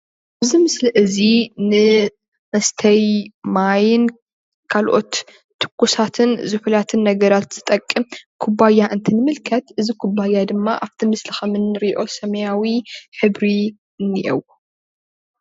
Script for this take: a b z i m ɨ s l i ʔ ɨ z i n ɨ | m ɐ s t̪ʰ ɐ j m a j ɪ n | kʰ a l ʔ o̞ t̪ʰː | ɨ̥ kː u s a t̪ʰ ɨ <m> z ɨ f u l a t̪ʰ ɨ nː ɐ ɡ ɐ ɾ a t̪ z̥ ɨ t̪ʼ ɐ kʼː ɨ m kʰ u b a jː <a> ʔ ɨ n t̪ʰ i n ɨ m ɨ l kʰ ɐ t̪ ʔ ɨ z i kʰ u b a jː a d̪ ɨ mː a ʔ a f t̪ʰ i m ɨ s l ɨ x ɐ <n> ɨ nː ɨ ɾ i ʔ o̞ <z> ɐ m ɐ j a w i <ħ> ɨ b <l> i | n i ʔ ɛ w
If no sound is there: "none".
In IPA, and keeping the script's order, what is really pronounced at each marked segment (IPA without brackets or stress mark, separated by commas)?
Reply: n, a, m, s, ħ, ɾ